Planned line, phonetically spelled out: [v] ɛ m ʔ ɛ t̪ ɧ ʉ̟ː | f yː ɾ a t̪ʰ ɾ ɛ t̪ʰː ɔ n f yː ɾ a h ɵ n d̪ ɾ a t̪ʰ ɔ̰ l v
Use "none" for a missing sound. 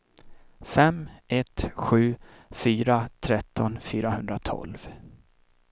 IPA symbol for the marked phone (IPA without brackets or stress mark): f